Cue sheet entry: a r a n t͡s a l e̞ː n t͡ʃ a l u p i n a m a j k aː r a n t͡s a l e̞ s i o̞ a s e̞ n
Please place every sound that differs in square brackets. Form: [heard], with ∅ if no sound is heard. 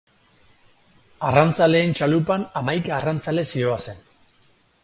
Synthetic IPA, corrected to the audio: a r a n t͡s a l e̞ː n t͡ʃ a l u p [a] n a m a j k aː r a n t͡s a l e̞ s i o̞ a s e̞ n